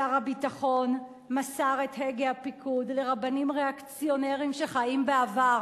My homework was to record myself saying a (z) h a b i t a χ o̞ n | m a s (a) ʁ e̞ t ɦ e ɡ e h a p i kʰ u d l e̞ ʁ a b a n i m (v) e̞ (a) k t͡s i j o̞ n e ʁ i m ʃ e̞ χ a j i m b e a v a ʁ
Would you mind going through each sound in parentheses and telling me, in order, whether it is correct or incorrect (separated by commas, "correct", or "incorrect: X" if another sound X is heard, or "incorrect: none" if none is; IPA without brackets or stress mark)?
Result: incorrect: ʁ, correct, incorrect: ʁ, correct